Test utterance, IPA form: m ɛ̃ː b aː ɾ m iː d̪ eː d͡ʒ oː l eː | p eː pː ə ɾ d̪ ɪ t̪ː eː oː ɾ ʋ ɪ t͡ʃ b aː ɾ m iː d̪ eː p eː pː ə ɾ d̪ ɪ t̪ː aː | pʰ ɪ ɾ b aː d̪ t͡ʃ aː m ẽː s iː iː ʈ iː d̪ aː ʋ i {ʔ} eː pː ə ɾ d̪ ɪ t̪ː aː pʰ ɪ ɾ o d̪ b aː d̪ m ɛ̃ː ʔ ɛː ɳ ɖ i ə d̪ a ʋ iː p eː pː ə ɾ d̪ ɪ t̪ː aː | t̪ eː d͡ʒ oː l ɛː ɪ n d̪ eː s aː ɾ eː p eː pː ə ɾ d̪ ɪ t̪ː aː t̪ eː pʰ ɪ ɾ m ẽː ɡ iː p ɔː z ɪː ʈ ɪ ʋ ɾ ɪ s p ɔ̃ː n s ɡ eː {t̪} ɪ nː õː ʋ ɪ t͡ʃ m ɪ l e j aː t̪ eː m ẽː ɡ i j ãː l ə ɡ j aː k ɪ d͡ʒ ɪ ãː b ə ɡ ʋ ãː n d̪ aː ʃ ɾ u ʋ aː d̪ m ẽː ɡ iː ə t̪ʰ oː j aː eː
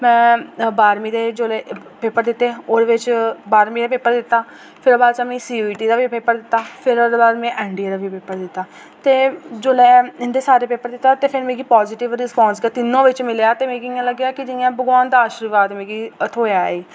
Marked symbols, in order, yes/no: no, yes

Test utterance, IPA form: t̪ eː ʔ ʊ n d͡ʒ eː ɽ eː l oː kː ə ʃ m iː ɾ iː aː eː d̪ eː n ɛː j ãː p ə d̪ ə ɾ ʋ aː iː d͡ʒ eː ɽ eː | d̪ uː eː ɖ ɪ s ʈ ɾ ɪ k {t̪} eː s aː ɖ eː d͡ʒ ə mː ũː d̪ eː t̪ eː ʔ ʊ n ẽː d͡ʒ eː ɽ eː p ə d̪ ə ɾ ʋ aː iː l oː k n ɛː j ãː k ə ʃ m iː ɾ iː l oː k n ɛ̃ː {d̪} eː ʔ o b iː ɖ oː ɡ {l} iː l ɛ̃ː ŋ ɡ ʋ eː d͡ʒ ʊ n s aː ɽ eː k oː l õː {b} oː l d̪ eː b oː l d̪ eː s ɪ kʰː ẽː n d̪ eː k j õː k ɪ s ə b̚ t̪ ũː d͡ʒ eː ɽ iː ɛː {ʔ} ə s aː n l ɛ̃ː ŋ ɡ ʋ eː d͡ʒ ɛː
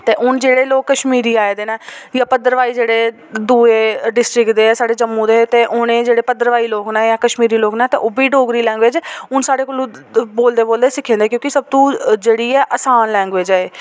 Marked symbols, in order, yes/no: no, no, no, yes, yes

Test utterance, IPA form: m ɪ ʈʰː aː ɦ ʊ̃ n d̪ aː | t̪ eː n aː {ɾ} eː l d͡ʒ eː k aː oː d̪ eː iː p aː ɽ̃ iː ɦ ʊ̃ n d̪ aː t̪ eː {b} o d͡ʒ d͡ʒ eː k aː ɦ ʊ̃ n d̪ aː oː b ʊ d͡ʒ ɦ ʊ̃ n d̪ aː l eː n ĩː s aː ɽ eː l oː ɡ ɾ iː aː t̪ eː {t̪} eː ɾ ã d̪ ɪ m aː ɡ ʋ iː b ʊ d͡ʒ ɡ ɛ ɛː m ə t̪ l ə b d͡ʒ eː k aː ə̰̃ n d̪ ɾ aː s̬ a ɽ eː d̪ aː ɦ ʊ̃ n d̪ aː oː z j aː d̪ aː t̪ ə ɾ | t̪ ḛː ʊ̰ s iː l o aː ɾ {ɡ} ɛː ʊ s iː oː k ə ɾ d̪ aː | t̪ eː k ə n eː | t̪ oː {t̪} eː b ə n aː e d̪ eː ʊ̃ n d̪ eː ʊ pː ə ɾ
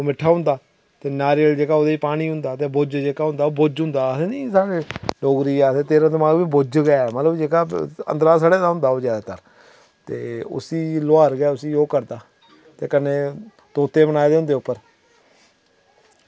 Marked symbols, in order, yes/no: yes, yes, yes, yes, yes

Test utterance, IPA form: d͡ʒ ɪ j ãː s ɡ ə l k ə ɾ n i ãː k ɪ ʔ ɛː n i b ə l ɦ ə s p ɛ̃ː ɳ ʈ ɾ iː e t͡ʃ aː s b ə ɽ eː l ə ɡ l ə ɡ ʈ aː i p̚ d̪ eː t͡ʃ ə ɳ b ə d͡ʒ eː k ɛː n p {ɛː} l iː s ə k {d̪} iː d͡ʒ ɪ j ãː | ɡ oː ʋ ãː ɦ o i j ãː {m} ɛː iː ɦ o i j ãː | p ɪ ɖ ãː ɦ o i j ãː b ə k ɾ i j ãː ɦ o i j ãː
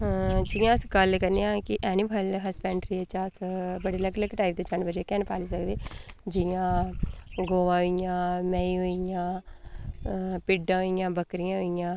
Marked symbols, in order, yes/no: no, yes, yes

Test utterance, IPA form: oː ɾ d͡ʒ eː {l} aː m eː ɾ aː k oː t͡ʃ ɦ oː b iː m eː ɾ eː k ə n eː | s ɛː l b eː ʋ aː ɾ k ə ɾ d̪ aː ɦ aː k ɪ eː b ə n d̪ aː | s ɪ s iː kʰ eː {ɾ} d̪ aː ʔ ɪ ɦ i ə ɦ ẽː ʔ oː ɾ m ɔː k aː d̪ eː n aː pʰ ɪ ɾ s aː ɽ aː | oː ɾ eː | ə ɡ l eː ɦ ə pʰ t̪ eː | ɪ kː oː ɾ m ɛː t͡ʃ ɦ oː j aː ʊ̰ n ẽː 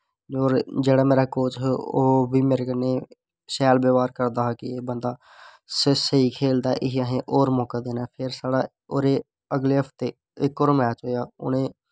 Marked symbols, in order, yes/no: no, no

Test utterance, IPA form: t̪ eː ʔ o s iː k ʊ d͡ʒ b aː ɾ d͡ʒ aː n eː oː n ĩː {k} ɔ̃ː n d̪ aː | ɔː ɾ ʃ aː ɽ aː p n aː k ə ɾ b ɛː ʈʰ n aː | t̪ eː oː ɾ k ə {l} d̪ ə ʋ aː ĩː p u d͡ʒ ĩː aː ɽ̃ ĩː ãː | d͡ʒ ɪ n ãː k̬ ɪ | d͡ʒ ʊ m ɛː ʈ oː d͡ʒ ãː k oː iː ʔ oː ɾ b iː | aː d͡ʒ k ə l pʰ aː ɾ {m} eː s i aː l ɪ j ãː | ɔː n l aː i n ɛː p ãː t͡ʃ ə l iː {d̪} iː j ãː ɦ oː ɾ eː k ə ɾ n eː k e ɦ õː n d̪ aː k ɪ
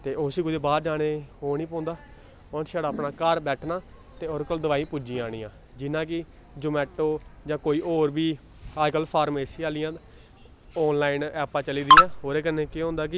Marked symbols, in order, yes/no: no, yes, yes, yes

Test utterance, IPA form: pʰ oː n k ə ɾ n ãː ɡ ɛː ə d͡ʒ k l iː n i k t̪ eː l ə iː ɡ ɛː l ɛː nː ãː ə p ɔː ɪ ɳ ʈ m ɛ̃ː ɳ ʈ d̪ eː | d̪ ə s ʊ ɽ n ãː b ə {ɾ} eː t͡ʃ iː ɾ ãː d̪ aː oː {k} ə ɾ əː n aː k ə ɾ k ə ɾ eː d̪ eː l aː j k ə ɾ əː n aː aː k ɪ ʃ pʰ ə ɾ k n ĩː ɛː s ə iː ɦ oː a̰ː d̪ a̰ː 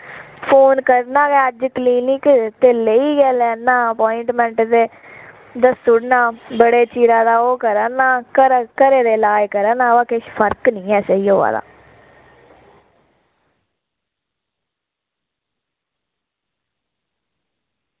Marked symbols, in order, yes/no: no, yes

